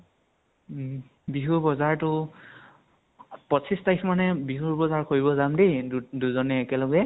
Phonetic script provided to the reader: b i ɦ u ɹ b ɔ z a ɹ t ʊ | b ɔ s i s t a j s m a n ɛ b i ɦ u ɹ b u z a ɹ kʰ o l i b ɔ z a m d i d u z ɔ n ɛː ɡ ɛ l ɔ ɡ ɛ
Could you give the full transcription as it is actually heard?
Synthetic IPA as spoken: b i ɦ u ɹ b ɔ z a ɹ t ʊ | p ɔ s i s t a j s m a n ɛ b i ɦ u ɹ b ɔ z a ɹ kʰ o ɹ i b ɔ z a m d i d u z ɔ n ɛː k ɛ l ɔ ɡ ɛ

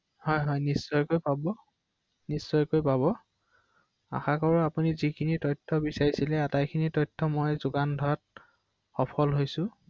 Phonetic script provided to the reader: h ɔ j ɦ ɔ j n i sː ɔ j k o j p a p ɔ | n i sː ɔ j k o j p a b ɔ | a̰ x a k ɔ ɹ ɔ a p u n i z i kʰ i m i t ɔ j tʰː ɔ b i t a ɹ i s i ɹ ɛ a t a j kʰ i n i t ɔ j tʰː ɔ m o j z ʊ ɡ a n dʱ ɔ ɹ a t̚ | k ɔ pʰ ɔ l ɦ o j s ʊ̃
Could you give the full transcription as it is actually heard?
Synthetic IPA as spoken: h ɔ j ɦ ɔ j n i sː ɔ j k o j p a b ɔ | n i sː ɔ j k o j p a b ɔ | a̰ x a k ɔ ɹ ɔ a p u n i z i kʰ i n i t ɔ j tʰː ɔ b i s a ɹ i s i l ɛ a t a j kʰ i n i t ɔ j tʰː ɔ m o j z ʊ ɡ a n dʱ ɔ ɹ a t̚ | x ɔ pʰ ɔ l ɦ o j s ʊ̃

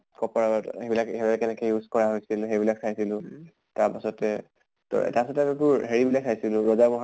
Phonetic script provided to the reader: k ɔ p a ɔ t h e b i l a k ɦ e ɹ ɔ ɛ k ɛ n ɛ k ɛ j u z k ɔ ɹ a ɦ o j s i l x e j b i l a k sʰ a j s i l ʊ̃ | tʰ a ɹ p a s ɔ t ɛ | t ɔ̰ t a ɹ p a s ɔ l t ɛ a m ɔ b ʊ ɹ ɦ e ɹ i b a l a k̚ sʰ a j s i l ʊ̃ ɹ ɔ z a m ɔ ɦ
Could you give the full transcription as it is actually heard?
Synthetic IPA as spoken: k ɔ p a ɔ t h e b i l a k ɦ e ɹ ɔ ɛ k ɛ n ɛ k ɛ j u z k ɔ ɹ a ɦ o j s i l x e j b i l a k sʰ a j s i l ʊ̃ | t a ɹ p a s ɔ t ɛ | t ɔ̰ t a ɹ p a s ɔ t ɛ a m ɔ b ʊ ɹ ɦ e ɹ i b i l a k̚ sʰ a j s i l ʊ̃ ɹ ɔ z a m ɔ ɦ

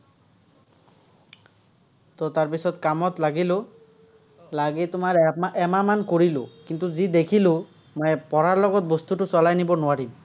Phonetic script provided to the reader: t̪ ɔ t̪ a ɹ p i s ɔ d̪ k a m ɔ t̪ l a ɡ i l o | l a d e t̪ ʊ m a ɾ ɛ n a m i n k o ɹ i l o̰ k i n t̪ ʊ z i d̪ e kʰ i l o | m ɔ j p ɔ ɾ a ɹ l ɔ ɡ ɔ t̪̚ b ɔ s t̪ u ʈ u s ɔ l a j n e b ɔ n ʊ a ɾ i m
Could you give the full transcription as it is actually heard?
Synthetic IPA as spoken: t̪ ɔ t̪ a ɹ p i s ɔ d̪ k a m ɔ t̪ l a ɡ i l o | l a ɡ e t̪ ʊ m a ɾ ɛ m a m a n k o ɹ i l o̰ k i n t̪ u z i d̪ e kʰ i l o | m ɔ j p ɔ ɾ a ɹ l ɔ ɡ ɔ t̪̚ b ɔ s t̪ u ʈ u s ɔ l a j n i b ɔ n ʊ a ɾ i m

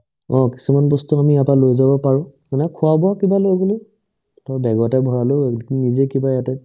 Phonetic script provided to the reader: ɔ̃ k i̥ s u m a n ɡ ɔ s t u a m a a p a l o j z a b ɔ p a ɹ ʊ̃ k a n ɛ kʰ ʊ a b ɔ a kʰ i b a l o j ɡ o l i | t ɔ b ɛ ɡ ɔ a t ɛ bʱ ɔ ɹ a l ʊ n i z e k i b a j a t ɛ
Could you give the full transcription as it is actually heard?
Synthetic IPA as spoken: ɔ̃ k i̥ s u m a n b ɔ s t u a m i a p a l o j z a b ɔ p a ɹ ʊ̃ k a n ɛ kʰ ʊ a b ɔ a k i b a l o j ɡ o l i | t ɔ b ɛ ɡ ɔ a t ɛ bʱ ɔ ɹ a l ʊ n i z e k i b a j a t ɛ

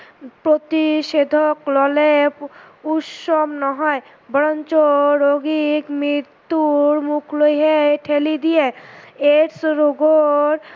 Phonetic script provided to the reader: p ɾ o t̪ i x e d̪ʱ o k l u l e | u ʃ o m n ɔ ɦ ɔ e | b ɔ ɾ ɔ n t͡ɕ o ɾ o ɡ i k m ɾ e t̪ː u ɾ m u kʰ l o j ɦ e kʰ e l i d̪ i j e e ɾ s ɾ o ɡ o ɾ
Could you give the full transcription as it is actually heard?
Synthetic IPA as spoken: p ɾ o t̪ i ʃ e d̪ʱ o k l ɔ l e | u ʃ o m n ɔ ɦ ɔ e | b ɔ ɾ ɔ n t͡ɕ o ɾ o ɡ i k m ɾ i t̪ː u ɾ m u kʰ l o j ɦ e ʈʰ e l i d̪ i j e e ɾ s ɾ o ɡ o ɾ

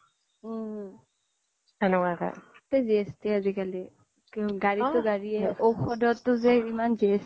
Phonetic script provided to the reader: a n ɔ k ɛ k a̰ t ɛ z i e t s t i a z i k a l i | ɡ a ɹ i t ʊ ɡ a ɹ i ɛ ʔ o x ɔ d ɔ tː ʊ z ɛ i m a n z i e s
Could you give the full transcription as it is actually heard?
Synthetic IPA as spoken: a n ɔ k a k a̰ t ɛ z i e s t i a z i k a l i | ɡ a ɹ i t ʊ ɡ a ɹ i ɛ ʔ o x ɔ d ɔ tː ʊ z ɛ i m a n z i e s

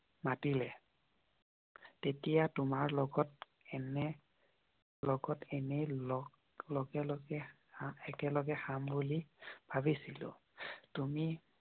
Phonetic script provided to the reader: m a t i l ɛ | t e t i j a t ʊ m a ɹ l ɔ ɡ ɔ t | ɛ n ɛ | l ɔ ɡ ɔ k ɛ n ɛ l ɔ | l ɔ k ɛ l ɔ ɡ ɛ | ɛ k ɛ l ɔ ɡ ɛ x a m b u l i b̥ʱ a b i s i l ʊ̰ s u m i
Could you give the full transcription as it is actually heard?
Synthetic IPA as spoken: m a t i l ɛ | t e t i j a t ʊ m a ɹ l ɔ ɡ ɔ t | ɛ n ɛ | l ɔ ɡ ɔ t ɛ n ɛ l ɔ | l ɔ ɡ ɛ l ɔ ɡ ɛ | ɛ k ɛ l ɔ ɡ ɛ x a m b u l i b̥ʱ a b i s i l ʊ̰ t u m i

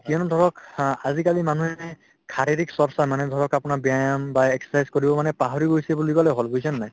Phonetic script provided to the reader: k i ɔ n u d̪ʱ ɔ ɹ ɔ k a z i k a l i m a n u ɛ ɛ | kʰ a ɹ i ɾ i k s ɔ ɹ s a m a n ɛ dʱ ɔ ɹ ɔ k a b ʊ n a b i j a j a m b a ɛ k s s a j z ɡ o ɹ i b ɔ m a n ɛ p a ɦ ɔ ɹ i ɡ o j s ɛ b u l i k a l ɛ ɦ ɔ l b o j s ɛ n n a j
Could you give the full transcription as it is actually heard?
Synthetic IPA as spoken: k i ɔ n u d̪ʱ ɔ ɹ ɔ k a z i k a l i m a n u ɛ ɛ | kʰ a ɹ i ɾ i k s ɔ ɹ s a m a n ɛ dʱ ɔ ɹ ɔ k a p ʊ n a b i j a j a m b a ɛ k s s a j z k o ɹ i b ɔ m a n ɛ p a ɦ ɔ ɹ i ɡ o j s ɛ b u l i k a l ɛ ɦ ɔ l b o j s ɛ n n a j

